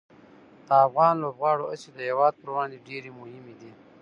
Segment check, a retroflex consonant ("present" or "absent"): present